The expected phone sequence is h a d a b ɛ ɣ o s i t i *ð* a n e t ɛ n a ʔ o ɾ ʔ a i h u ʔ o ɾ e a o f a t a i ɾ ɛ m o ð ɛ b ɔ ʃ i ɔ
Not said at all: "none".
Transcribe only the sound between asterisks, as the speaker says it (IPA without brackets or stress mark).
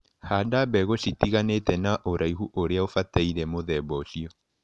ɣ